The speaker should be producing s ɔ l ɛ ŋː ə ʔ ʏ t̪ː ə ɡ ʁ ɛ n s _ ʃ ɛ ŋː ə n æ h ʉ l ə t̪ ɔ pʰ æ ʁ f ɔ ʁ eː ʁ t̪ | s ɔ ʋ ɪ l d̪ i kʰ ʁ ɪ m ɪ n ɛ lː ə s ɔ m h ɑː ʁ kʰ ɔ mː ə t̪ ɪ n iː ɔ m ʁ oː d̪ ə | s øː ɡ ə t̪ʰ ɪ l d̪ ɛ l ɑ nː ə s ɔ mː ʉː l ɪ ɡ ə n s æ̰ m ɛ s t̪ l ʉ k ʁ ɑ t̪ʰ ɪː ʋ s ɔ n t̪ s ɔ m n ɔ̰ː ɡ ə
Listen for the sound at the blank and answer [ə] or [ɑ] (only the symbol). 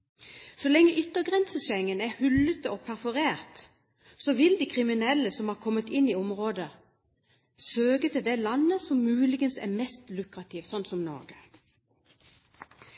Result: ə